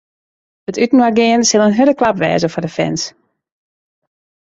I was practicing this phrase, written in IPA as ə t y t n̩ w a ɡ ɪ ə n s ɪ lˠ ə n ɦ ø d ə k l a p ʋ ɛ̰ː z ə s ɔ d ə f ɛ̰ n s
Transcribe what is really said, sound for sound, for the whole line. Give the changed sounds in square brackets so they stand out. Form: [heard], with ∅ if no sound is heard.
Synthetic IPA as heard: ə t y t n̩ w a ɡ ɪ ə n s ɪ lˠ ə n ɦ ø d ə k l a p ʋ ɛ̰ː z ə [f] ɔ d ə f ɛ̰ n s

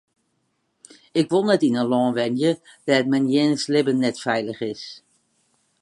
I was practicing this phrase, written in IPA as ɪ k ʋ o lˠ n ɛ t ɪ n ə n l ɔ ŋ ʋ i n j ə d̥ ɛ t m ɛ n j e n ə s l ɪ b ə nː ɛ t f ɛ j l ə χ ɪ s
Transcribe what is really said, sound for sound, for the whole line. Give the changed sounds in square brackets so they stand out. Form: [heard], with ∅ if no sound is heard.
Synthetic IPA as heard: ɪ k ʋ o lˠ n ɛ t ɪ n ə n l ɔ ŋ ʋ [ɛ] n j ə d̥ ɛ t m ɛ n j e n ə s l ɪ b ə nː ɛ t f ɛ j l ə χ ɪ s

